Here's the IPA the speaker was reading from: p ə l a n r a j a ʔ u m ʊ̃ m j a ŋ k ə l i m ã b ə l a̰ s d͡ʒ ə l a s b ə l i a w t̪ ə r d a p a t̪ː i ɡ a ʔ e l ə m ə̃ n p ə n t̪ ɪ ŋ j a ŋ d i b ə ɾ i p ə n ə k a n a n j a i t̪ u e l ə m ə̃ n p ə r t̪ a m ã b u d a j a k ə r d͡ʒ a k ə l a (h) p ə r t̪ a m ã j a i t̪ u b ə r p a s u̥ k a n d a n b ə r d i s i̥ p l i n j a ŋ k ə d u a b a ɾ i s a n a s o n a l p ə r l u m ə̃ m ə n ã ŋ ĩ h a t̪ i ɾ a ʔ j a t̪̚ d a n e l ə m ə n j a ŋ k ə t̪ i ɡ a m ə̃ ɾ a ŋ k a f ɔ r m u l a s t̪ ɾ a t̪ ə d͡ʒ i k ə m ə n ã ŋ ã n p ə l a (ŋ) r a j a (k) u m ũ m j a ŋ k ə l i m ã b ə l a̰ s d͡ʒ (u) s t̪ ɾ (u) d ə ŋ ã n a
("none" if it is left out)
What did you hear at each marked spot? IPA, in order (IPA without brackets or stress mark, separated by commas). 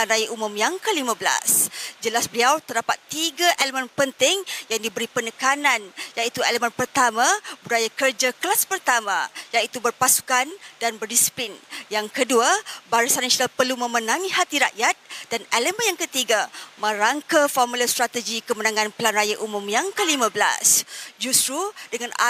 s, n, ʔ, u, u